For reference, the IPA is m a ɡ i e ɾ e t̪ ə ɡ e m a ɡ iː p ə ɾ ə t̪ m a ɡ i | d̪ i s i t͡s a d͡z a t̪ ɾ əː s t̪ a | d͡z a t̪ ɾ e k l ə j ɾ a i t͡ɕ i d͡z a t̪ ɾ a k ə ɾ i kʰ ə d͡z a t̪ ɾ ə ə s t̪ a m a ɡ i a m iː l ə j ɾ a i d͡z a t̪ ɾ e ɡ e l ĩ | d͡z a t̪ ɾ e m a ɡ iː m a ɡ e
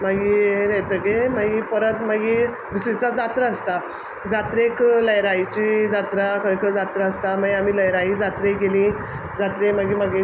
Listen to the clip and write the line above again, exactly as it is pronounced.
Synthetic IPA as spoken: m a ɡ i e ɾ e t̪ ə ɡ e m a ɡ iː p ə ɾ ə t̪ m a ɡ i | d̪ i s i t͡s a d͡z a t̪ ɾ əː s t̪ a | d͡z a t̪ ɾ e k l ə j ɾ a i t͡ɕ i d͡z a t̪ ɾ a k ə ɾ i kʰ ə d͡z a t̪ ɾ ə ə s t̪ a m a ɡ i a m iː l ə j ɾ a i d͡z a t̪ ɾ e ɡ e l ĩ | d͡z a t̪ ɾ e m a ɡ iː m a ɡ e